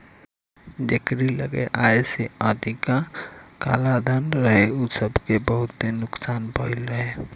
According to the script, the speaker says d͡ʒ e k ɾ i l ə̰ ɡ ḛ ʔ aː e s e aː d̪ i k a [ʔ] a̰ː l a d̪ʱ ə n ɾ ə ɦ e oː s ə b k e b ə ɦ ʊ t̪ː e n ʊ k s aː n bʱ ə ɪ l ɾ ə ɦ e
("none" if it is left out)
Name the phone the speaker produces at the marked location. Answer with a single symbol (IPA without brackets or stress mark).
k